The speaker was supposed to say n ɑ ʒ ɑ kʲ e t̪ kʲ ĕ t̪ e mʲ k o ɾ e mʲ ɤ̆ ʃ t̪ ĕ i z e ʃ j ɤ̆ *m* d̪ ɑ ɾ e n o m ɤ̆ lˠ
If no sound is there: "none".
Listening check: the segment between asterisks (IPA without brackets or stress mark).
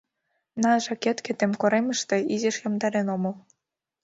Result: m